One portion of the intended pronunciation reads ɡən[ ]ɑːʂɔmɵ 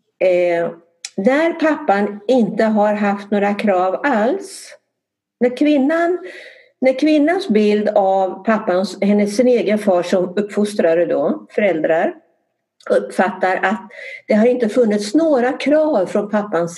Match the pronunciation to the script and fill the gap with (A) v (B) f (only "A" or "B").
B